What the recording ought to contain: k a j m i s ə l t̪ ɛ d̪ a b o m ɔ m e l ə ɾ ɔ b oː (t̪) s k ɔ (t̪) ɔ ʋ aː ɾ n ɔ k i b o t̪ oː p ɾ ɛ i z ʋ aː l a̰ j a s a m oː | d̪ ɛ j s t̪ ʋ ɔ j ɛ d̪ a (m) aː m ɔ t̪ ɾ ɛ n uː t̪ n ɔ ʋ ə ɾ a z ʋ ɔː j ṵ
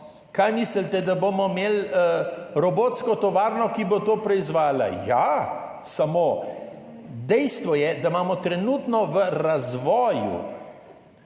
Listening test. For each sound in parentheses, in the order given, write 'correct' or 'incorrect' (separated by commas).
correct, correct, correct